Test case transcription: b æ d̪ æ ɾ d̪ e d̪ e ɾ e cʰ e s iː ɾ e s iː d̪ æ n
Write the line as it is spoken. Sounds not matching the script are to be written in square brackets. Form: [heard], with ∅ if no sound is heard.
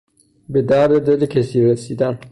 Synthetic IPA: b [e] d̪ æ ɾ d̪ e d̪ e [l] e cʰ e s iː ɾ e s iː d̪ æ n